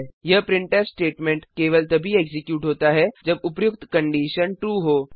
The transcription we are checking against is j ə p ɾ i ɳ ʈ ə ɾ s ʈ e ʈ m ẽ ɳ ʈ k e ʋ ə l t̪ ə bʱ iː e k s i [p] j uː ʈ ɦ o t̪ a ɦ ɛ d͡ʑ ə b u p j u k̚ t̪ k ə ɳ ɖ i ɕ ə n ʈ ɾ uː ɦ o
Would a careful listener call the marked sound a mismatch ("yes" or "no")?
yes